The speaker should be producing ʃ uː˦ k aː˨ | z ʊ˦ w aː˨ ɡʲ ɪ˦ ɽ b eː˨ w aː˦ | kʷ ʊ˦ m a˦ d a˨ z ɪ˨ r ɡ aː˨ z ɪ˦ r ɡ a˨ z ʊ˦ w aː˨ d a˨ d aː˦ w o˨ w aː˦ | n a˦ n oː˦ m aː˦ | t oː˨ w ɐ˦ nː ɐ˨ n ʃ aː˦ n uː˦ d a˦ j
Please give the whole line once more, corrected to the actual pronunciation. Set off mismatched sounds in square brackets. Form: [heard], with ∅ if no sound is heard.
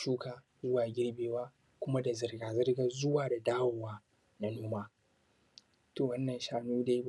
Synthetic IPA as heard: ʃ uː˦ k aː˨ | z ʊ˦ w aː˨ ɡʲ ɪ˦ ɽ b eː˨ w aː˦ | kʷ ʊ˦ m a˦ d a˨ z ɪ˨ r ɡ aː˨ z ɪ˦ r ɡ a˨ z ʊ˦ w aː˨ d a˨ d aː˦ w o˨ w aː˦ | n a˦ n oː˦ m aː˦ | t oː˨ w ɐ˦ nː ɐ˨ n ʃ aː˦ n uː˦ d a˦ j